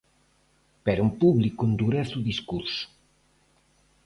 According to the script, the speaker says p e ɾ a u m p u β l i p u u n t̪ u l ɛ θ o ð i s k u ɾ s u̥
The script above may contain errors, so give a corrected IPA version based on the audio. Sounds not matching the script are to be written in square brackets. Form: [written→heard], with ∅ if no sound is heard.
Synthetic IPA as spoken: p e ɾ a u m p u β l i [p→k] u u n [t̪→d̪] u [l→ɾ] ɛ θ [o→u] ð i s k u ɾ s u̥